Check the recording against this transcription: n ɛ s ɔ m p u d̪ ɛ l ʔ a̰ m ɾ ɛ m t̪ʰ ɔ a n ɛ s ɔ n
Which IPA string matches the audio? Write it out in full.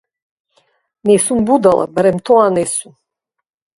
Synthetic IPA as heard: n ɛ s u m b u d̪ a l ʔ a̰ b ɾ ɛ m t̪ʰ ɔ a n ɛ s u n

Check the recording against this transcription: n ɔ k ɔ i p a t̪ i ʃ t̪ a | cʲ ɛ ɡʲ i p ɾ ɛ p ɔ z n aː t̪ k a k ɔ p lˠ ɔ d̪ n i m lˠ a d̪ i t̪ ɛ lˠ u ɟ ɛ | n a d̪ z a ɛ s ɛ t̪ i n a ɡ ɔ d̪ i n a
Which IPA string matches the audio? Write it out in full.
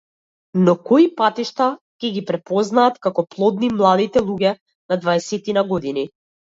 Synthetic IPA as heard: n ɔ k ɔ i p a t̪ i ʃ t̪ a | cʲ ɛ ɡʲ i p ɾ ɛ p ɔ z n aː t̪ k a k ɔ p lˠ ɔ d̪ n i m lˠ a d̪ i t̪ ɛ lˠ u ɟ ɛ | n a d̪ v a ɛ s ɛ t̪ i n a ɡ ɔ d̪ i n i

